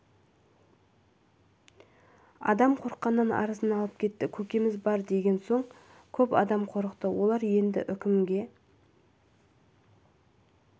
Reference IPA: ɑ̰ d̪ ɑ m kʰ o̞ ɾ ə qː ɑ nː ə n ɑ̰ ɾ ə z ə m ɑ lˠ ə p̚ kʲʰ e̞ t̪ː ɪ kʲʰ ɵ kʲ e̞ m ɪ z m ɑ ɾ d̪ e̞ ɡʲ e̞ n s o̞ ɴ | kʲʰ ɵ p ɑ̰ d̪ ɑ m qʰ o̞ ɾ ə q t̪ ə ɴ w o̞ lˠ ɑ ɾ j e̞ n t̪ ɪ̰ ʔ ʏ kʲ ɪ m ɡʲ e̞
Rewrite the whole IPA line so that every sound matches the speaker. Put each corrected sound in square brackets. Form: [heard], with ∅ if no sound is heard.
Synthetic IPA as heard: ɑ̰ d̪ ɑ m [qʰ] o̞ ɾ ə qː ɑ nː ə n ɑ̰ ɾ ə z ə [n] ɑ lˠ ə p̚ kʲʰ e̞ t̪ː ɪ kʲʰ ɵ kʲ e̞ m ɪ z [b] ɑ ɾ d̪ e̞ ɡʲ e̞ n s o̞ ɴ | kʲʰ ɵ p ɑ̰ d̪ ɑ m qʰ o̞ ɾ ə q t̪ ə [∅] w o̞ lˠ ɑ ɾ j e̞ n [d̪] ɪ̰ ʔ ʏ kʲ ɪ m ɡʲ e̞